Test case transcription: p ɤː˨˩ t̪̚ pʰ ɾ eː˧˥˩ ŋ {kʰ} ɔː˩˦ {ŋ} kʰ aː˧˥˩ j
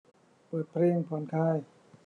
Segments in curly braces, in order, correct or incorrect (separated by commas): incorrect, incorrect